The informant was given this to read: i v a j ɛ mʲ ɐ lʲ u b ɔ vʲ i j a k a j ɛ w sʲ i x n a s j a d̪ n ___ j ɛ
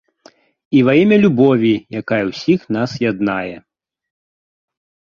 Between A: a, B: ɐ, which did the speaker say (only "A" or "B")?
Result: A